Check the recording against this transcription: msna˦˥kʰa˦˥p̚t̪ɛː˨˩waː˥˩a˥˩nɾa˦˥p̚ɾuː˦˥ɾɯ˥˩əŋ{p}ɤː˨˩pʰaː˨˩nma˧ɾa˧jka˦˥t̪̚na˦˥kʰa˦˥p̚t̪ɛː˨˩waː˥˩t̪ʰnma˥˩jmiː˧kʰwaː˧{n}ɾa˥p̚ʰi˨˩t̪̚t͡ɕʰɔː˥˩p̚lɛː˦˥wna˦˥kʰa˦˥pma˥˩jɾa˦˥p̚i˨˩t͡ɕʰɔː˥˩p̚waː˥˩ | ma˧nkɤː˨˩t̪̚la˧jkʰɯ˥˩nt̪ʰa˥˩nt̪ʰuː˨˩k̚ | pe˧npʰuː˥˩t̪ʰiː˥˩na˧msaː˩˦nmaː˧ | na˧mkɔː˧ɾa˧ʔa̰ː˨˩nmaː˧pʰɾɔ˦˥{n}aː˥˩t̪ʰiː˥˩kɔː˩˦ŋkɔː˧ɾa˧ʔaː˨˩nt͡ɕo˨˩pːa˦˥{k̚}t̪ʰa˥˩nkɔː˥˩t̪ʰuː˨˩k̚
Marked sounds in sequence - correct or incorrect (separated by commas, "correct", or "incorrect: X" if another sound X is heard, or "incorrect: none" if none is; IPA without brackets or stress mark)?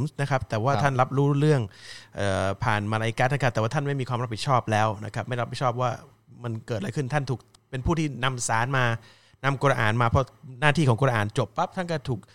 incorrect: ʔ, incorrect: m, correct, incorrect: p̚